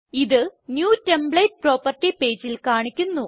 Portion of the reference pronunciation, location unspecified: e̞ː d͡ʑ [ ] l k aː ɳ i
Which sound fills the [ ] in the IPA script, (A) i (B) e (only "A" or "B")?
A